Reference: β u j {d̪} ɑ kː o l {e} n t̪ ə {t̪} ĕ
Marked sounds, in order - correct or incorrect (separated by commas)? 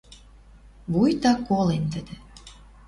incorrect, correct, incorrect